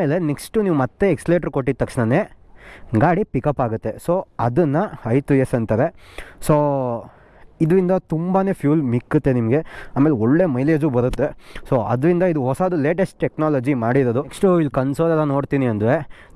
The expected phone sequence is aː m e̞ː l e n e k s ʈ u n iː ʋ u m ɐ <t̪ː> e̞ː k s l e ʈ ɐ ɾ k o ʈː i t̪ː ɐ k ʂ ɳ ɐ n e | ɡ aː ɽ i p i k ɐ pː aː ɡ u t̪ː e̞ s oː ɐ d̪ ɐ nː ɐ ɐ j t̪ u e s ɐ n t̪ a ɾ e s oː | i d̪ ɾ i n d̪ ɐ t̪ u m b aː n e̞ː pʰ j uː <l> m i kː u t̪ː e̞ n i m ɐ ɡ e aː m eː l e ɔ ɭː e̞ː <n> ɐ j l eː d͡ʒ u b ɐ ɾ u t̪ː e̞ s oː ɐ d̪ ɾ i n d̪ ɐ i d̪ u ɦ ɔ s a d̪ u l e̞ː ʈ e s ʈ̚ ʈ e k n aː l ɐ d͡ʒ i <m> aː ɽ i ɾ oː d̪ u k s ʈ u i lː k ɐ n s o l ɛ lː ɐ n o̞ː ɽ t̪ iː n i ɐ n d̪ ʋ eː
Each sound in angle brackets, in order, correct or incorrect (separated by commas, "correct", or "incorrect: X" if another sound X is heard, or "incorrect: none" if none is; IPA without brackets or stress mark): correct, correct, incorrect: m, correct